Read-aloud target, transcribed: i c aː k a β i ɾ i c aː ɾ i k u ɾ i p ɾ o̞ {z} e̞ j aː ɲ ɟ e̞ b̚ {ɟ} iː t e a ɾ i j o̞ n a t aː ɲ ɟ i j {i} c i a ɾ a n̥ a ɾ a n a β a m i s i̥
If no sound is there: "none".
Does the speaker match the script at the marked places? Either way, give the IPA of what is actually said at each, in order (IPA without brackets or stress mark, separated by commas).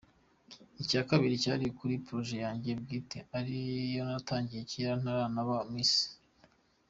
ʒ, ɡ, e